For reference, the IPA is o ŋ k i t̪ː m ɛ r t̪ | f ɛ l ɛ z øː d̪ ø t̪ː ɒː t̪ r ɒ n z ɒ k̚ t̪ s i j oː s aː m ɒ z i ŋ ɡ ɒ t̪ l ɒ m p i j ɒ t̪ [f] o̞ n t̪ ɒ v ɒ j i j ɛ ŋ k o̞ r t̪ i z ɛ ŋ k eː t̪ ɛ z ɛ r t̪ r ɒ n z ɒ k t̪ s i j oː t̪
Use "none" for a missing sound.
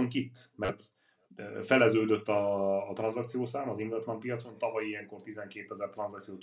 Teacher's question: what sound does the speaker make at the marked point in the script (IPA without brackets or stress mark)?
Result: s